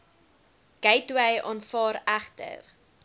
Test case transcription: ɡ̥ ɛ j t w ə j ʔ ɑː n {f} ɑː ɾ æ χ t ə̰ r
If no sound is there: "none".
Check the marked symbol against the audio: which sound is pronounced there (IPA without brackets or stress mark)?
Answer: f